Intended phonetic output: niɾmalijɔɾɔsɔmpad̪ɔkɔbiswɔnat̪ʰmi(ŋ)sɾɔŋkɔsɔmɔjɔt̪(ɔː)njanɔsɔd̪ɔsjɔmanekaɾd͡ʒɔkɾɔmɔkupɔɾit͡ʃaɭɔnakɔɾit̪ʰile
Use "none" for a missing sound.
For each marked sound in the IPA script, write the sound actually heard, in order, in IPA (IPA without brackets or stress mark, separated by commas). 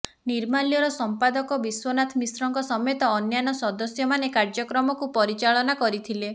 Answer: none, ɔː